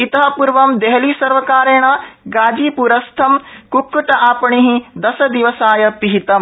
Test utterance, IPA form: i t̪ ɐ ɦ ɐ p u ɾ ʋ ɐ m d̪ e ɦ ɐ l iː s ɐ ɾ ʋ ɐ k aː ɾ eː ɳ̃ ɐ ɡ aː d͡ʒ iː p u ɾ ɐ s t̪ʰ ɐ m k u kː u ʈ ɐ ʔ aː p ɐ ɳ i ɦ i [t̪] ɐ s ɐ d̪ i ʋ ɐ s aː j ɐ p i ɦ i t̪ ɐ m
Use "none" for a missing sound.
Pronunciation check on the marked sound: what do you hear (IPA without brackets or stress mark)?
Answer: d̪